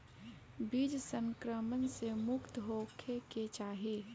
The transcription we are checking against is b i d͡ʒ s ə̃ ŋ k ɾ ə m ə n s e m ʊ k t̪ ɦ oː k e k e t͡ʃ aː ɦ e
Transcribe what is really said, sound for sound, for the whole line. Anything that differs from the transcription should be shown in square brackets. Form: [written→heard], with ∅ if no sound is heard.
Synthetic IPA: b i d͡ʒ s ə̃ ŋ k ɾ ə m ə n s e m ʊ k t̪ ɦ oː [k→kʰ] e k e t͡ʃ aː ɦ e